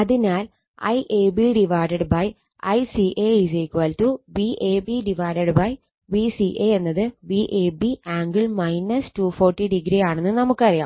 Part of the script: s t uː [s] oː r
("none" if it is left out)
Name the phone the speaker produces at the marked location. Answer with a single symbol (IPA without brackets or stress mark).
f